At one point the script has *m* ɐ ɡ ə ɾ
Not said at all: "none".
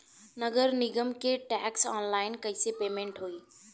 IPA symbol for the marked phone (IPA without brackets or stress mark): n